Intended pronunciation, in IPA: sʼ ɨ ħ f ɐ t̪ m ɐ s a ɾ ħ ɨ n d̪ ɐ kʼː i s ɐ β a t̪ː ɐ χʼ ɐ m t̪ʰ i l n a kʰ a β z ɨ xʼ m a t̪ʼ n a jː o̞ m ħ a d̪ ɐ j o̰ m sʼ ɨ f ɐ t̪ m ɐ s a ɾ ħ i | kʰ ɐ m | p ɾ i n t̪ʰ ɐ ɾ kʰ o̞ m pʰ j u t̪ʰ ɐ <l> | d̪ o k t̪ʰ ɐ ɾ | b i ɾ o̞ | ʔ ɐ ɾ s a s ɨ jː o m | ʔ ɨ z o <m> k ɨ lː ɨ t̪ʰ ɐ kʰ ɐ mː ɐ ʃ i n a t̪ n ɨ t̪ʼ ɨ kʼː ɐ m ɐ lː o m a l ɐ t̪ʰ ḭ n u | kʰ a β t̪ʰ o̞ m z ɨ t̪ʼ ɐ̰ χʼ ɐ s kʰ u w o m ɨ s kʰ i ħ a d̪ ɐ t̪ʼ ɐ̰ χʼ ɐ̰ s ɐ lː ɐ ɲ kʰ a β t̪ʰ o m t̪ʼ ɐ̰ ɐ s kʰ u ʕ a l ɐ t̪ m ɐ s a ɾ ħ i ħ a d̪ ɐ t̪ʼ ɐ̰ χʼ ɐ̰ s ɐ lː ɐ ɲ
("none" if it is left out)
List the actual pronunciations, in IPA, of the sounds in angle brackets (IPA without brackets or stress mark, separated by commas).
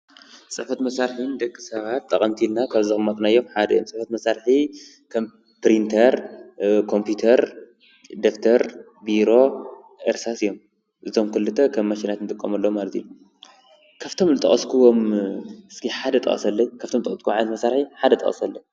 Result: ɾ, m